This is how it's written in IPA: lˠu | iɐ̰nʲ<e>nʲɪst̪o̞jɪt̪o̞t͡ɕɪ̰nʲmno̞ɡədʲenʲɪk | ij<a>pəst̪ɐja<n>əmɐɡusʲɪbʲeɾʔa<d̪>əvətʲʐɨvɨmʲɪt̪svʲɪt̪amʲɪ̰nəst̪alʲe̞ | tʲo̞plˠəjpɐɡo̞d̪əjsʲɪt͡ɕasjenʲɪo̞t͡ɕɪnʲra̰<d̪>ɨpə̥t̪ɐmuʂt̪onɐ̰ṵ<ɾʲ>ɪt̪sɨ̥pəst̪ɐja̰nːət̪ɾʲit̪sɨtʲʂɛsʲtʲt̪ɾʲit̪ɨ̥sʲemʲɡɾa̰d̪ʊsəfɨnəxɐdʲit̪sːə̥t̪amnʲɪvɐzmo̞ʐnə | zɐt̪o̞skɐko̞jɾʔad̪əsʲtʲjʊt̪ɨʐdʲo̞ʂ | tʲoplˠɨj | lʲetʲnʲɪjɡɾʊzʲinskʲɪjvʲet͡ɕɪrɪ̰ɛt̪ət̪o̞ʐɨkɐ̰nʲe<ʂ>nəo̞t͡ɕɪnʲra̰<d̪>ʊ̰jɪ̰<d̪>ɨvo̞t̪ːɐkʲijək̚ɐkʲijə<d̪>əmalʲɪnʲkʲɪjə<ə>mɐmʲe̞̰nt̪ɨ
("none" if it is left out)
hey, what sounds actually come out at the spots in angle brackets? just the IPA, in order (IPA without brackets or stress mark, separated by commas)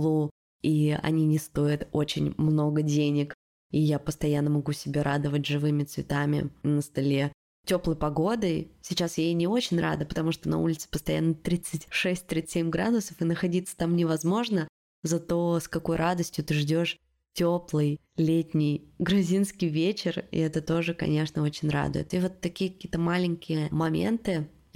i, a, nː, d̪, d̪, lʲ, ʂ, d̪, t̪, t̪, ə